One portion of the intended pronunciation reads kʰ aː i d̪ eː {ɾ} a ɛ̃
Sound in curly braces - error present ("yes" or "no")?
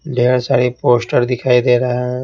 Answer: no